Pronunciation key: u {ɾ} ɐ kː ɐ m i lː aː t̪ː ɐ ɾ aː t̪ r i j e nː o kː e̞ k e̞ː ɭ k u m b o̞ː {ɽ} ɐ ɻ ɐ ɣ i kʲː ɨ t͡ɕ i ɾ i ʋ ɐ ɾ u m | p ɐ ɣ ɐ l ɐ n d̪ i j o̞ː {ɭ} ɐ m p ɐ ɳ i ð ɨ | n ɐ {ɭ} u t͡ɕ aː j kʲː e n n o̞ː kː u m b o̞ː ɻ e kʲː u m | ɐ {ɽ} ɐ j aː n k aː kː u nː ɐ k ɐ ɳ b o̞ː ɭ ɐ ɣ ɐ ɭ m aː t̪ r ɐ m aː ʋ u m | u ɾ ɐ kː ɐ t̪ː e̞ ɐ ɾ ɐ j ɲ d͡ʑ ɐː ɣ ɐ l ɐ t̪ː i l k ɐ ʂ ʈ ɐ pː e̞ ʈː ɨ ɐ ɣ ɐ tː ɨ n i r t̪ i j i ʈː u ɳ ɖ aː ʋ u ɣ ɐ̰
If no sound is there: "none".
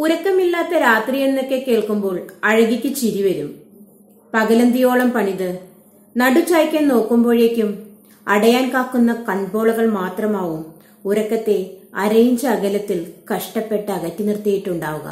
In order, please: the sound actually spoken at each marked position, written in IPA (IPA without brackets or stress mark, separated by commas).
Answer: ɾ, ɭ, ɭ, ɽ, ɽ